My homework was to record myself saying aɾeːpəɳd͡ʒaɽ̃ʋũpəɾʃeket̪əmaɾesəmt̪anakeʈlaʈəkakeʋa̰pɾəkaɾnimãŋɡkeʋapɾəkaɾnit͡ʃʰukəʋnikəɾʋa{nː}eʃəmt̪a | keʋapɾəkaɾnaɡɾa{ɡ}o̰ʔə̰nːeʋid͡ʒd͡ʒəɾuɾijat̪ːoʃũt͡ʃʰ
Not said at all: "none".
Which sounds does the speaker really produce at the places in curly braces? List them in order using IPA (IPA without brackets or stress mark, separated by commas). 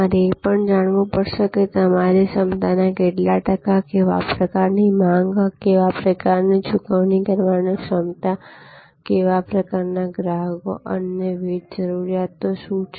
n, ɡ